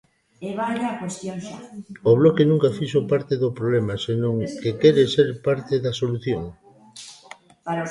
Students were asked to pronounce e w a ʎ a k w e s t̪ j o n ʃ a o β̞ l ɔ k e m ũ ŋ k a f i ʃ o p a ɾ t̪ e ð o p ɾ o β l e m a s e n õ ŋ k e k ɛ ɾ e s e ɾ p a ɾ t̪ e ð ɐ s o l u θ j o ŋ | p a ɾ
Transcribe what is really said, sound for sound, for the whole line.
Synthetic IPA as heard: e β a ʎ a k w e s t̪ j o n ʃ a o β̞ l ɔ k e n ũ ŋ k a f i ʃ o p a ɾ t̪ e ð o p ɾ o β l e m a s e n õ ŋ k e k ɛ ɾ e s e ɾ p a ɾ t̪ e ð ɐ s o l u θ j o ŋ | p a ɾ

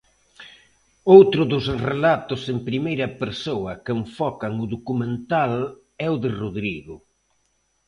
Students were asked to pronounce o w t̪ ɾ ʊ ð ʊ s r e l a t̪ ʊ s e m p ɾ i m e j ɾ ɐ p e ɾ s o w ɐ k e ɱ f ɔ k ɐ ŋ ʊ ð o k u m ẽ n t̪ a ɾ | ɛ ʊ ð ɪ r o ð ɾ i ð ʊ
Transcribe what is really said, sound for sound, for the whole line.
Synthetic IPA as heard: o w t̪ ɾ ʊ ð ʊ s r e l a t̪ ʊ s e m p ɾ i m e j ɾ ɐ p e ɾ s o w ɐ k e ɱ f ɔ k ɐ ŋ ʊ ð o k u m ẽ n t̪ a l | ɛ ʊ ð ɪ r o ð ɾ i ɣ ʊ

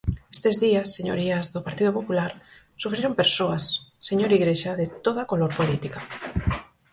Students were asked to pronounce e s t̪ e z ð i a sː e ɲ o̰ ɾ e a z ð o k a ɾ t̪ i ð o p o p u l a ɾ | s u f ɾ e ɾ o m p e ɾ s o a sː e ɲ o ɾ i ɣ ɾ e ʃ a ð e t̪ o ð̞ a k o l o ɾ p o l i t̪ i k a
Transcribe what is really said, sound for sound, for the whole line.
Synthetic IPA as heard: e s t̪ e z ð i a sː e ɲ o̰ ɾ i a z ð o p a ɾ t̪ i ð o p o p u l a ɾ | s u f ɾ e ɾ o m p e ɾ s o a sː e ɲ o ɾ i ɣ ɾ e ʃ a ð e t̪ o ð̞ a k o l o ɾ p o l i t̪ i k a

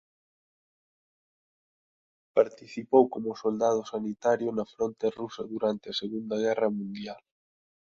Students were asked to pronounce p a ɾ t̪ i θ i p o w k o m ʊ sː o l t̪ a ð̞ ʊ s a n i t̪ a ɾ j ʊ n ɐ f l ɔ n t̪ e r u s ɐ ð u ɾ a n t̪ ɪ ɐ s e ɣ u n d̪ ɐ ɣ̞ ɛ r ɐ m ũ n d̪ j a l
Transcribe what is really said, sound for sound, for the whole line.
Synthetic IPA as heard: p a ɾ t̪ i θ i p o w k o m ʊ s o l d̪ a ð̞ ʊ s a n i t̪ a ɾ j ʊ n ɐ f ɾ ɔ n t̪ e r u s ɐ ð u ɾ a n t̪ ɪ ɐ s e ɣ u n d̪ ɐ ɣ̞ ɛ r ɐ m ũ n d̪ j a l

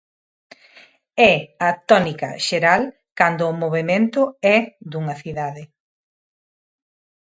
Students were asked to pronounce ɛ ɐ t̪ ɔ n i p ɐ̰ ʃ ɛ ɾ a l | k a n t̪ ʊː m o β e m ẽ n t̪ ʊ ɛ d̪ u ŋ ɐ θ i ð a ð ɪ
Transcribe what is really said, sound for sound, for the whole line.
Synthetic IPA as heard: ɛ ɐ t̪ ɔ n i k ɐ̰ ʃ e ɾ a l | k a n d̪ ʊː m o β e m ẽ n t̪ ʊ ɛ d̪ u ŋ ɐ θ i ð a ð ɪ

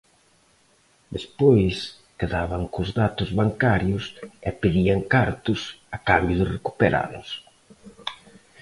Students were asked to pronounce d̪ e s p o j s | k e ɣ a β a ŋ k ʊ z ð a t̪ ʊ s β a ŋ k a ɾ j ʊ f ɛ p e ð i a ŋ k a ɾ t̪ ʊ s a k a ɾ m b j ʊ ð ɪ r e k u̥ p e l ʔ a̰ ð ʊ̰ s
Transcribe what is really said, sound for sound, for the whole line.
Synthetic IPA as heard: d̪ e s p o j s | k e ð a β a ŋ k ʊ z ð a t̪ ʊ z β a ŋ k a ɾ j ʊ s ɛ p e ð i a ŋ k a ɾ t̪ ʊ s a k a m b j ʊ ð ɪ r e k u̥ p e ɾ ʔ a̰ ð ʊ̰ s

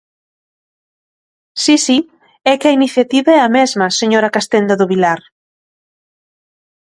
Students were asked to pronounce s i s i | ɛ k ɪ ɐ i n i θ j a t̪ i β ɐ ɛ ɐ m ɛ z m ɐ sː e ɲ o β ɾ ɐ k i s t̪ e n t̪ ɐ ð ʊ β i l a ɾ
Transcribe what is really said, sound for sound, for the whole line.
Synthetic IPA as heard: s i s i | ɛ k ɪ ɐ i n i θ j a t̪ i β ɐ ɛ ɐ m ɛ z m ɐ s e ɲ o ɾ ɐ k a s t̪ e n d̪ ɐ ð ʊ β i l a ɾ

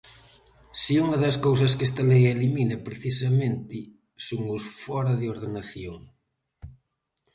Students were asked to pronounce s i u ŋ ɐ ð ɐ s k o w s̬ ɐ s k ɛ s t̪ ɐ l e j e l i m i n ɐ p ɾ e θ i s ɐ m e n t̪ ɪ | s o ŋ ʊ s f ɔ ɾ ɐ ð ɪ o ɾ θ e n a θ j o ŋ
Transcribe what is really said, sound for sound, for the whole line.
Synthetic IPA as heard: s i u ŋ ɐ ð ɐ s k o w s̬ ɐ s k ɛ s t̪ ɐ l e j e l i m i n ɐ p ɾ e θ i s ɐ m e n t̪ ɪ | s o ŋ ʊ s f ɔ ɾ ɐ ð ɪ o ɾ ð e n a θ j o ŋ

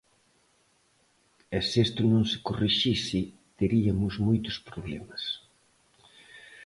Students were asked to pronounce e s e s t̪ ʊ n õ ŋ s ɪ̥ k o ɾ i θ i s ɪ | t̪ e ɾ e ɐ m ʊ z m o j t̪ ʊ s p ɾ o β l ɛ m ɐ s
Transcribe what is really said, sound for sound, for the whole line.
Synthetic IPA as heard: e s e s t̪ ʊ n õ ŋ s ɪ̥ k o r i ʃ i s ɪ | t̪ e ɾ i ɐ m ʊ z m o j t̪ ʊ s p ɾ o β l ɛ m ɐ s

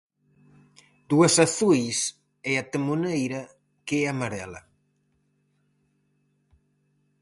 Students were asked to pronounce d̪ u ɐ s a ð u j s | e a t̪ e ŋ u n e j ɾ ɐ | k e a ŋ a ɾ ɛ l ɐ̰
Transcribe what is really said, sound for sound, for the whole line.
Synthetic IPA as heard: d̪ u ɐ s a θ u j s | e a t̪ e m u n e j ɾ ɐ | k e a m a ɾ ɛ l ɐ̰

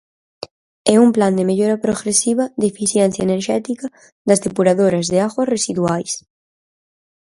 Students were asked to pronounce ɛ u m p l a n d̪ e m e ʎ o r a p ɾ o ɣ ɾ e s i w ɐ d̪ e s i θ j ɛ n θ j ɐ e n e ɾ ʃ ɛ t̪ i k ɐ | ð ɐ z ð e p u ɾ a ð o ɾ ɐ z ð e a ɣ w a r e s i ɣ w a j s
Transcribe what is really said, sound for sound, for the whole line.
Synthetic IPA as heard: ɛ u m p l a n d̪ e m e ʎ o ɾ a p ɾ o ɣ ɾ e s i β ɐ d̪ e f i θ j ɛ n θ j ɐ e n e ɾ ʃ ɛ t̪ i k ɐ | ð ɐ z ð e p u ɾ a ð o ɾ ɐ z ð e a ɣ w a r e s i ð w a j s

